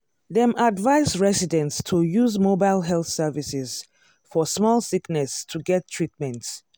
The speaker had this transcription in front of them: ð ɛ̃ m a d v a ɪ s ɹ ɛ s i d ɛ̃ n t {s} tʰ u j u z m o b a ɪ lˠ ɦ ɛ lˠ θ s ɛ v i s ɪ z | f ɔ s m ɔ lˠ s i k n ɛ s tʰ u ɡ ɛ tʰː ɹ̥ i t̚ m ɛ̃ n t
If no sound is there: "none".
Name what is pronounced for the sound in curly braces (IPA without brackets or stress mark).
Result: s